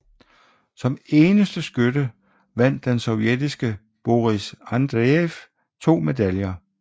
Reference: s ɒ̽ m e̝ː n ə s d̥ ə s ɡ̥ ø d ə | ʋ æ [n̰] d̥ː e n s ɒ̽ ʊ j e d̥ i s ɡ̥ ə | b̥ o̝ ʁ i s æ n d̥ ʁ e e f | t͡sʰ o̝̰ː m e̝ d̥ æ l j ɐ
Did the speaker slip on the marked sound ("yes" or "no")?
no